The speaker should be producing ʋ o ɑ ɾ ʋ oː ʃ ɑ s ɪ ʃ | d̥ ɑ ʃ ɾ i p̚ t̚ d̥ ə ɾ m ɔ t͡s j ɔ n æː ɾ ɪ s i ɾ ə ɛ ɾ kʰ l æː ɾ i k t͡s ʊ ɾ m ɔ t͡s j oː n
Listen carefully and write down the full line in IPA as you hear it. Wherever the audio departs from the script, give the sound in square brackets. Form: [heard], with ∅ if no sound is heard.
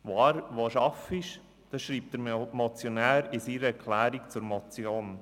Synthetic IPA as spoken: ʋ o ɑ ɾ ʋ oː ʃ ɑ [f] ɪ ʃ | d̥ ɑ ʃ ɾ [iː] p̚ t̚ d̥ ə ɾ m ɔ t͡s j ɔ n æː ɾ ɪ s i ɾ ə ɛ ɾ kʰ l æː ɾ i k t͡s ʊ ɾ m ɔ t͡s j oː n

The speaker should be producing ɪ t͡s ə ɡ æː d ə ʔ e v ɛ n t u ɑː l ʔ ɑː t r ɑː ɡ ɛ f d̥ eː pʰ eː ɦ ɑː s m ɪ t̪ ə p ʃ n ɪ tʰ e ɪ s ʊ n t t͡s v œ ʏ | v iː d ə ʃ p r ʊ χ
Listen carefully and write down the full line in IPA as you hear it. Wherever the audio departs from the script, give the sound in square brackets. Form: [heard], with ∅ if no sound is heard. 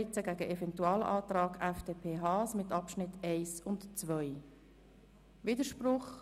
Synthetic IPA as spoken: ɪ t͡s ə ɡ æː [ɡ] ə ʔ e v ɛ n t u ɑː l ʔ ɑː t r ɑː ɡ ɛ f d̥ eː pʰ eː ɦ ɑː s m ɪ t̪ [ɑ] p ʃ n ɪ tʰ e ɪ s ʊ n t t͡s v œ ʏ | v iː d ə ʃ p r ʊ χ

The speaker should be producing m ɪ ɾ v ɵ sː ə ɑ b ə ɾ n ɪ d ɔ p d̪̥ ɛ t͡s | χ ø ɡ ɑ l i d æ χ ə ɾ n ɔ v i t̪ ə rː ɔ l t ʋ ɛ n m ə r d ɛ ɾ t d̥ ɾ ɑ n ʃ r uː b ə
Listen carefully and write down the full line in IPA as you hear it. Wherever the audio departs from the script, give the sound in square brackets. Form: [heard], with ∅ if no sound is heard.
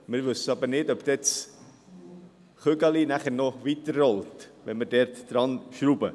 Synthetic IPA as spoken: m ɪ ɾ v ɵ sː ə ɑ b ə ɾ n ɪ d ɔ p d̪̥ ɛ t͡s | χ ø ɡ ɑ l i [n] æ χ ə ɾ n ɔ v i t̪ ə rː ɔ l t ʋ ɛ n m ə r d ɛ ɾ t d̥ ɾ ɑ n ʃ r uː b ə

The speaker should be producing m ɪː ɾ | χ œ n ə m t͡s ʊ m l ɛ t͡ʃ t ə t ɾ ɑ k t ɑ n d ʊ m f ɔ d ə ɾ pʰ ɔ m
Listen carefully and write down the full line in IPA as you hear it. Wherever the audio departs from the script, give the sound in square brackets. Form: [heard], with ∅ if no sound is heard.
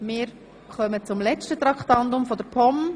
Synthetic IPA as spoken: m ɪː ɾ | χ œ [m] ə [∅] t͡s ʊ m l ɛ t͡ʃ t ə t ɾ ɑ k t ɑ n d ʊ m f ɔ d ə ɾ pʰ ɔ m

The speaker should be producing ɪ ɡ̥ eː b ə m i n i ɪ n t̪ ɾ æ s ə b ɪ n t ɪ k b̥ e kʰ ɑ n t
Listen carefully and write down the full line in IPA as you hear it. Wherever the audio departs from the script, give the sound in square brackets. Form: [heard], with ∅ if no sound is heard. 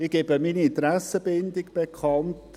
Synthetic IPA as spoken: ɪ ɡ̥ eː b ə m i n i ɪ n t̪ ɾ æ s ə b ɪ n [d] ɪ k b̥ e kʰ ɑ n t

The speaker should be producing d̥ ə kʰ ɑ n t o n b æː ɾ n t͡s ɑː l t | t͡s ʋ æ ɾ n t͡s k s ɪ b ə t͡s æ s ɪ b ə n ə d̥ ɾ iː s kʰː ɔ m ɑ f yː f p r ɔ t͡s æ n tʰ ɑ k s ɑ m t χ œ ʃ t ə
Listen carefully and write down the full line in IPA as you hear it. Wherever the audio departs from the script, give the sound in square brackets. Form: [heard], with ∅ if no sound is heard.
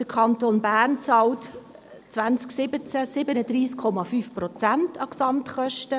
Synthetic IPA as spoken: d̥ ə kʰ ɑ n t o n b æː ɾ n t͡s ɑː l t | t͡s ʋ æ [∅] n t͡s k s ɪ b ə t͡s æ s ɪ b ə n ə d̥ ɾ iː s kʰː ɔ m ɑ f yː f p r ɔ t͡s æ n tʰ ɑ k s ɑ m t χ œ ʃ t ə

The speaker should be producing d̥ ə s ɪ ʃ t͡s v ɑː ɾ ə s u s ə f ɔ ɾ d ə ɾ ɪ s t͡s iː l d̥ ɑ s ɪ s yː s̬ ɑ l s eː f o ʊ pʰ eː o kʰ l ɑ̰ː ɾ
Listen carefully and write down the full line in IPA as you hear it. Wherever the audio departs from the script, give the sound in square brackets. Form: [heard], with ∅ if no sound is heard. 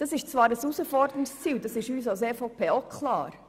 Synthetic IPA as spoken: d̥ [ɑ] s ɪ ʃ t͡s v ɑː ɾ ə s u s ə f ɔ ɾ d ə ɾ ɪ s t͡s iː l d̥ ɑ s ɪ [ʃ] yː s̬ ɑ l s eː f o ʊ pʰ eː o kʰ l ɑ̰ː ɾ

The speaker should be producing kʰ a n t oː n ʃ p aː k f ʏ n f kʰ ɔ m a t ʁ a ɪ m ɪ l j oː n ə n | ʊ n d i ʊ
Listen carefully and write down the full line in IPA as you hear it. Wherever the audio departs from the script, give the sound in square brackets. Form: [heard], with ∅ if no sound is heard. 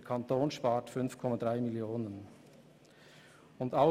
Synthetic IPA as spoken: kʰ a n t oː n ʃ p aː [t] f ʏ n f kʰ ɔ m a [d] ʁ a ɪ m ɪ l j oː n ə n | ʊ n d [a] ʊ

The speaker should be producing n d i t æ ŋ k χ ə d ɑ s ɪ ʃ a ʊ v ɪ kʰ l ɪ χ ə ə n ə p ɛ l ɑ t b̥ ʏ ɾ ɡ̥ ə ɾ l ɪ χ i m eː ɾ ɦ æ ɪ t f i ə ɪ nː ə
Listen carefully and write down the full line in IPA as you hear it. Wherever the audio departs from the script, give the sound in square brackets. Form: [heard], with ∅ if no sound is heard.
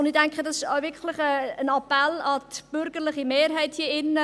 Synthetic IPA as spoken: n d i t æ ŋ k χ ə d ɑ s ɪ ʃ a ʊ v ɪ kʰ l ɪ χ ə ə n [ɑ] p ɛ l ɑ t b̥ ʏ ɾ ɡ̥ ə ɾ l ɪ χ i m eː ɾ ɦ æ ɪ t [h] i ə ɪ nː ə

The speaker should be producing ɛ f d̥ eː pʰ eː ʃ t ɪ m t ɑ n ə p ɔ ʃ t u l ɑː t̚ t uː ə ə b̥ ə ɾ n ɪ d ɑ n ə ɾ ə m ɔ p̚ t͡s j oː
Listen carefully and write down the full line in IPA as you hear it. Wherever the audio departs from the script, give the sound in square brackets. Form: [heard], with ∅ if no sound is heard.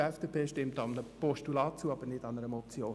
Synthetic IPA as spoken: ɛ f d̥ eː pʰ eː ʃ t ɪ m t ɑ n ə p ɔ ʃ t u l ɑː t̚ [t͡s] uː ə [ɑ] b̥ ə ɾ n ɪ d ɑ n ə ɾ ə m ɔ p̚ t͡s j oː

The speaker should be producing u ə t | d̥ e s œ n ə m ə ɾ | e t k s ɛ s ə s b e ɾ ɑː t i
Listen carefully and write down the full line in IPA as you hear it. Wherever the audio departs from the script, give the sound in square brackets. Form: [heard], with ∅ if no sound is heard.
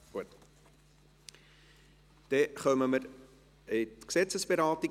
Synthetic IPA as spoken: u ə t | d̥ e [χ] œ [m] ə m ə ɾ | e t k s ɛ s ə s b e ɾ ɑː t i

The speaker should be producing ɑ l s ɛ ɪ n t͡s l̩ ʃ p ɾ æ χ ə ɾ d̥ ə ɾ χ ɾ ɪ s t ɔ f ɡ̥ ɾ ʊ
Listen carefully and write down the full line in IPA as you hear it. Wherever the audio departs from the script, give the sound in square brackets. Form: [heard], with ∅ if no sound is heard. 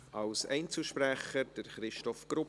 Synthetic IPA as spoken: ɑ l s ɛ ɪ n t͡s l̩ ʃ p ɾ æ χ ə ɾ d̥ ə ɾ χ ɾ ɪ [ʃ] t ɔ f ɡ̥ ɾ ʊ

